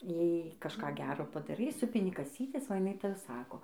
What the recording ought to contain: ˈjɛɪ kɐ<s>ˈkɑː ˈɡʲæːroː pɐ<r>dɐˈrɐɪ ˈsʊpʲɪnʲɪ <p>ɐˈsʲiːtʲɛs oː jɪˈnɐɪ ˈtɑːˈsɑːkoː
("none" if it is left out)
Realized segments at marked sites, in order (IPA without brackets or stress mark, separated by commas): ʃ, none, k